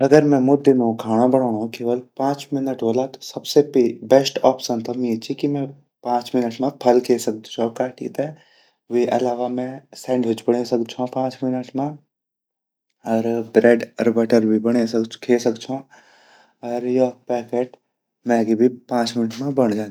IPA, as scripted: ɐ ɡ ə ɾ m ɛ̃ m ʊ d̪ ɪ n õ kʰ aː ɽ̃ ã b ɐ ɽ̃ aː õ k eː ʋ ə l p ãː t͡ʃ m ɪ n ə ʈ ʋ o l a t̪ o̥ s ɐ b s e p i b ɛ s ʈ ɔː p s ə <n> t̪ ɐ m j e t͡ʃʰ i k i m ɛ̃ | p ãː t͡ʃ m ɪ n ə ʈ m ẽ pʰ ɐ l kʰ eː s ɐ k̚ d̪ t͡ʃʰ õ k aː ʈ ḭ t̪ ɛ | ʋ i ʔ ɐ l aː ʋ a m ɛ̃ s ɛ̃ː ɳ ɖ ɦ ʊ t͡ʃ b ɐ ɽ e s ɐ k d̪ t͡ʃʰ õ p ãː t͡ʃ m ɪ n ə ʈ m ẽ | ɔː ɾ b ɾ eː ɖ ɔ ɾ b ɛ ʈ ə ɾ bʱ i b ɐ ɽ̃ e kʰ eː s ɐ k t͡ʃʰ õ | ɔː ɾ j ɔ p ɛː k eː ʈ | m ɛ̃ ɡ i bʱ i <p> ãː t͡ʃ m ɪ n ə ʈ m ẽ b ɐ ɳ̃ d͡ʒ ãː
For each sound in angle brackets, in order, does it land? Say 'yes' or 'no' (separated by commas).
yes, yes